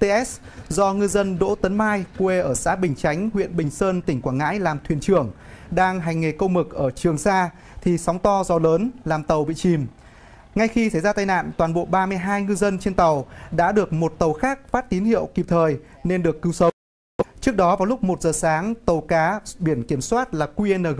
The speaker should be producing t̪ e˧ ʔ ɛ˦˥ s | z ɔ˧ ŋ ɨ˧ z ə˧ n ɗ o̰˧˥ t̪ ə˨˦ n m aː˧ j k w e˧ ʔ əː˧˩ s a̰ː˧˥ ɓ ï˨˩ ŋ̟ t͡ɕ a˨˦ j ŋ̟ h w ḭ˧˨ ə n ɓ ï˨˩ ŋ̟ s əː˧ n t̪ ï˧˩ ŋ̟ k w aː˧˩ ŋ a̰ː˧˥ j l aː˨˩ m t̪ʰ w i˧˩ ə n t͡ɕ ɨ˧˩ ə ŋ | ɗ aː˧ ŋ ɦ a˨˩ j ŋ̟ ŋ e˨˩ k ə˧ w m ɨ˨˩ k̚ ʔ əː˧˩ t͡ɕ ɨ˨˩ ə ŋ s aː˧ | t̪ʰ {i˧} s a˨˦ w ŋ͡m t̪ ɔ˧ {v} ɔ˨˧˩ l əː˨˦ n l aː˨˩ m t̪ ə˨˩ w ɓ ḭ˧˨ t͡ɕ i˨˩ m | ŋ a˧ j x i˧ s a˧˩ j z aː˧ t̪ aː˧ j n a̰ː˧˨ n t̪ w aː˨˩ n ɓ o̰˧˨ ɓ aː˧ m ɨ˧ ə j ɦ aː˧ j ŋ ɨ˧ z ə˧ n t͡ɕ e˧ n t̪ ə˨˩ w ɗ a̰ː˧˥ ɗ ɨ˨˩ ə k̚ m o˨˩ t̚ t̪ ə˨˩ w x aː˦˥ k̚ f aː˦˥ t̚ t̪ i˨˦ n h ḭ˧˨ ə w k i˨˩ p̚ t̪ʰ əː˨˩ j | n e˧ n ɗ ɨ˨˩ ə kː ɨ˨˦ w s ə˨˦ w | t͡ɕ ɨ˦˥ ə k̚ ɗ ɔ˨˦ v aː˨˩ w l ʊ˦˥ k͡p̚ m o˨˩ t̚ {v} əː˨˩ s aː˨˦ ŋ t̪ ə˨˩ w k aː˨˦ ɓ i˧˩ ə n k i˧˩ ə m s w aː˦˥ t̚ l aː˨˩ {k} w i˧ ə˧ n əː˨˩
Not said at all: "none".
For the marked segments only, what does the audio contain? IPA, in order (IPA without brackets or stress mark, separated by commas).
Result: i˨˩, z, z, k